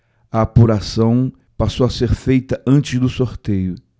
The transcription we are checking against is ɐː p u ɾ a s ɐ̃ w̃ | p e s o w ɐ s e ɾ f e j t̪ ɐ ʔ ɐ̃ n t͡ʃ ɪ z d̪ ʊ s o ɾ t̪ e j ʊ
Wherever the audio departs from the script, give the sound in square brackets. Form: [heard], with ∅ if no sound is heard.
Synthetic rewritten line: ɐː p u ɾ a s ɐ̃ w̃ | p [a] s o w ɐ s e ɾ f e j t̪ ɐ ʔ ɐ̃ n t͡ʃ ɪ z d̪ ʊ s o ɾ t̪ e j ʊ